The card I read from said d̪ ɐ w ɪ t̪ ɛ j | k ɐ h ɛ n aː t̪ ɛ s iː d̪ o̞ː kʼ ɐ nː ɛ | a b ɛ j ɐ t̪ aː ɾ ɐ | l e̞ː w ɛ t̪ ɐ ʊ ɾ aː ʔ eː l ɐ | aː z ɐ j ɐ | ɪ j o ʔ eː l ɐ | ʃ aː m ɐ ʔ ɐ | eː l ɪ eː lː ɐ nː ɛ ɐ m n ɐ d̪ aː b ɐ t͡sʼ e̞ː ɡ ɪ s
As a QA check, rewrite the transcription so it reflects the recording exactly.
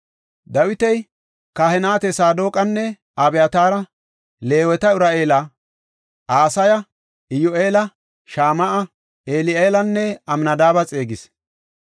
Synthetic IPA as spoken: d̪ ɐ w ɪ t̪ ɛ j | k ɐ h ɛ n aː t̪ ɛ s aː d̪ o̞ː kʼ ɐ nː ɛ | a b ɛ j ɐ t̪ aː ɾ ɐ | l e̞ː w ɛ t̪ ɐ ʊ ɾ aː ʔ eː l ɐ | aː s ɐ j ɐ | ɪ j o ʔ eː l ɐ | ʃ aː m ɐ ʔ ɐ | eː l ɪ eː l ɐ nː ɛ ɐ m n ɐ d̪ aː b ɐ t͡sʼ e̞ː ɡ ɪ s